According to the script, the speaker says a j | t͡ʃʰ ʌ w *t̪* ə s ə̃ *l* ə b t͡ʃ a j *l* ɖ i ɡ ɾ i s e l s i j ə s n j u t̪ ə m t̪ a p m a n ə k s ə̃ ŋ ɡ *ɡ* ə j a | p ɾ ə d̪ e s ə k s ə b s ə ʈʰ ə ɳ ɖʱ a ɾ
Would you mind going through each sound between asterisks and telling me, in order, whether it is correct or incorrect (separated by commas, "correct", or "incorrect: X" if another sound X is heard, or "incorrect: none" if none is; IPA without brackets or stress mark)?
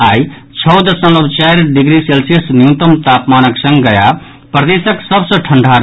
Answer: incorrect: d̪, correct, incorrect: ɾ, correct